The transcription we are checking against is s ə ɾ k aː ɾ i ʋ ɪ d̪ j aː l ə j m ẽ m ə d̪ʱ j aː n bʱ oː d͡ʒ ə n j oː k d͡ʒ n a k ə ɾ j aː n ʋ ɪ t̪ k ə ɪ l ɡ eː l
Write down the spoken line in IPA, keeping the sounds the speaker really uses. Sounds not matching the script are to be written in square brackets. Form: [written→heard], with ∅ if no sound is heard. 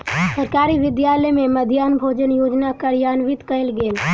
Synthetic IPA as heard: s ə ɾ k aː ɾ i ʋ ɪ d̪ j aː l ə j m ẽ m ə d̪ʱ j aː n bʱ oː d͡ʒ ə n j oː [k→∅] d͡ʒ n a k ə ɾ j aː n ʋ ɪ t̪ k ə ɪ l ɡ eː l